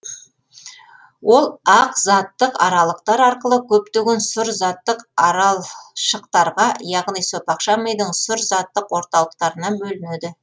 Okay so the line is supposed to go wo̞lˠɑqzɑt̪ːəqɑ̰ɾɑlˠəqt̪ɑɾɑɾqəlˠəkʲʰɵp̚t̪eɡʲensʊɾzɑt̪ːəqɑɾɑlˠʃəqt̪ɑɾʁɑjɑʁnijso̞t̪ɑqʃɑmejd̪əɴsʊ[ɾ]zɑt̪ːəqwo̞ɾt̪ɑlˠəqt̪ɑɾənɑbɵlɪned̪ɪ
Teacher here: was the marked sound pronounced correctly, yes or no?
yes